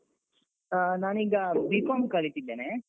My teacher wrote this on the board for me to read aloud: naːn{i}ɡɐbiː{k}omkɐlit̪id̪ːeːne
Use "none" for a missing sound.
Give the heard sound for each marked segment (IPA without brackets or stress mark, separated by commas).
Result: iː, k